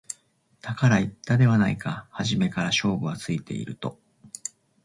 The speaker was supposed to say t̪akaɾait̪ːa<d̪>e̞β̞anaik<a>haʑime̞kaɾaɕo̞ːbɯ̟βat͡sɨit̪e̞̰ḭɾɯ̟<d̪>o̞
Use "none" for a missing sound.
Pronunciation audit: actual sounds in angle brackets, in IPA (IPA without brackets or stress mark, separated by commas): d̪, a, t̪